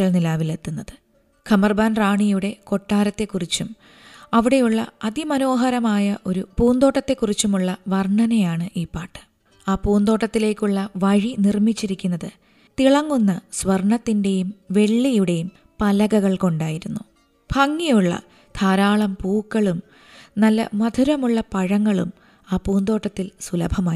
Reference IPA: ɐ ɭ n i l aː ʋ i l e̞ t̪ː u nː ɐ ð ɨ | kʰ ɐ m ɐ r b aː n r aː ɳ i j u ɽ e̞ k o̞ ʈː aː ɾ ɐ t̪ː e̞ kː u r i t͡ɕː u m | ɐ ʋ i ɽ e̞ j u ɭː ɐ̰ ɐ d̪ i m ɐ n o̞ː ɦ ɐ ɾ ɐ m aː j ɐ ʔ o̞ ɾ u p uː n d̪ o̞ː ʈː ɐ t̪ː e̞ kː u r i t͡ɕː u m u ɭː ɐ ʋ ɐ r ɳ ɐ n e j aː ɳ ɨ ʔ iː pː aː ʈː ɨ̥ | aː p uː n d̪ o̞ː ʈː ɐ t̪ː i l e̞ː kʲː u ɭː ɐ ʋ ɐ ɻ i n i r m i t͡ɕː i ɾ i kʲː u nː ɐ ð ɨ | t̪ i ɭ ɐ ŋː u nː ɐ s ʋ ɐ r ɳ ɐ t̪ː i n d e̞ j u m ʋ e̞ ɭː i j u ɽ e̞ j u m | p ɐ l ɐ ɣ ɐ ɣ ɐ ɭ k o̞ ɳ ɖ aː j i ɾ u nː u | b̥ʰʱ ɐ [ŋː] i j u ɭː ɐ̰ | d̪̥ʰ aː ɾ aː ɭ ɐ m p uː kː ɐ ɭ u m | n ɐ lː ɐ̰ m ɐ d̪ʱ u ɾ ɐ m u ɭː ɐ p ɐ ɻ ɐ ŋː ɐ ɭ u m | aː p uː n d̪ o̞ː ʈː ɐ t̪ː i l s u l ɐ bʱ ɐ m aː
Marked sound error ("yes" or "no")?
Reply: no